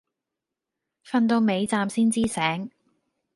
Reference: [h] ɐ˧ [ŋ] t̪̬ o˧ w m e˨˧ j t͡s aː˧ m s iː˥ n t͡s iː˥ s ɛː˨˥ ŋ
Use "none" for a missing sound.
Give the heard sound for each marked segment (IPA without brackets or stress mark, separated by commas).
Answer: f, n